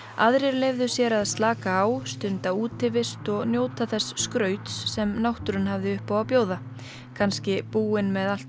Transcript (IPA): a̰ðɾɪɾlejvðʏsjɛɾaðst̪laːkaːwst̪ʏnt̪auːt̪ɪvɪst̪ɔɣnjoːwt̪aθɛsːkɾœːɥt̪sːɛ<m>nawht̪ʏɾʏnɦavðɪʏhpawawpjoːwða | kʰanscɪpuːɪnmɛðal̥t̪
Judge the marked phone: correct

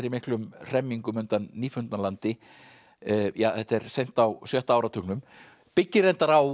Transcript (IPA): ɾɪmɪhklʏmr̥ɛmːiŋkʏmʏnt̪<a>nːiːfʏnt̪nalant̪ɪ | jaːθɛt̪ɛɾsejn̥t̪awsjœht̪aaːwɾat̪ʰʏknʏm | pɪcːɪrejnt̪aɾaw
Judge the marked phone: correct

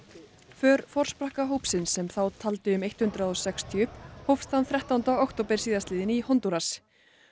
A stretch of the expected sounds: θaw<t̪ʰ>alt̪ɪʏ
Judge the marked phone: correct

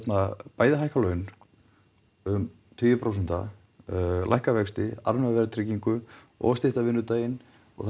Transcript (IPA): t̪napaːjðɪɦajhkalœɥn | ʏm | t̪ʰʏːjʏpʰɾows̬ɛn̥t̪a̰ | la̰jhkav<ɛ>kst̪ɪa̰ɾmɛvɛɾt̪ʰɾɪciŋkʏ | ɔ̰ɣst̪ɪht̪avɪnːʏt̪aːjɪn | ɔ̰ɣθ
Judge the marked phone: correct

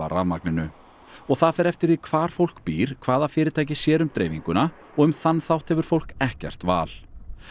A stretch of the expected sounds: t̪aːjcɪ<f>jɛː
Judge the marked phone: incorrect: s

